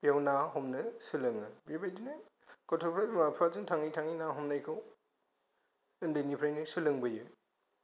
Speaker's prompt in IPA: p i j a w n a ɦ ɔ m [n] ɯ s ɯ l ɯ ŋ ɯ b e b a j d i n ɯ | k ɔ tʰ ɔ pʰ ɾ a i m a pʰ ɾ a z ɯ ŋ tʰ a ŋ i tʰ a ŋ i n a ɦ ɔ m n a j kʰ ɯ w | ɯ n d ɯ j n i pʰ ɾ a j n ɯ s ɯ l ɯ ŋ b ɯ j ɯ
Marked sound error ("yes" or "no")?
no